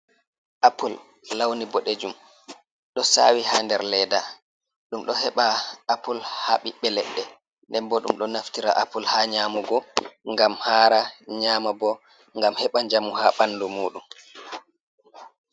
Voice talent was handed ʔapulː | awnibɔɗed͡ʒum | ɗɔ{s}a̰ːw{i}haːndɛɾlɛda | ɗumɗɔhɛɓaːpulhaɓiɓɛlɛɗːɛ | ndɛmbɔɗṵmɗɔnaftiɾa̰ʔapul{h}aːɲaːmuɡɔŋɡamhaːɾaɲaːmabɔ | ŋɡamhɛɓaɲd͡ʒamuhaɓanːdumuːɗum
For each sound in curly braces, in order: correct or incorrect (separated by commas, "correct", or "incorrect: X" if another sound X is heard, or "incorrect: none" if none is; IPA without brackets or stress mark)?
correct, correct, correct